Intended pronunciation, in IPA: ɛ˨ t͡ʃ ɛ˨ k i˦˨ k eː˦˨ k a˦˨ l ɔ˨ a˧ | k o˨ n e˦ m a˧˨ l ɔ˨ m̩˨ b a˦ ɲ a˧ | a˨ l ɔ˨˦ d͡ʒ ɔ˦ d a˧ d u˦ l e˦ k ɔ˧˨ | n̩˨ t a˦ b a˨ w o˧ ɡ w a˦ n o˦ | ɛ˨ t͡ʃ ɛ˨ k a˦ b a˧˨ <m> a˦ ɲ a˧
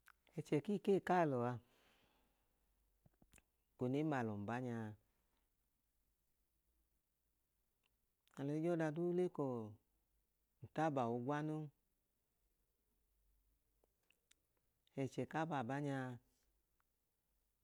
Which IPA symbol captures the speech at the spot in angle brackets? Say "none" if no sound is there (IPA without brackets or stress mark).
b